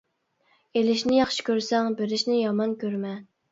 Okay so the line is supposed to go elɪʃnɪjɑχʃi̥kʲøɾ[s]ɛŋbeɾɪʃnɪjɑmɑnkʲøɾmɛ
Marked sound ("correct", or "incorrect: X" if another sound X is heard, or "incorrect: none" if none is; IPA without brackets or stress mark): correct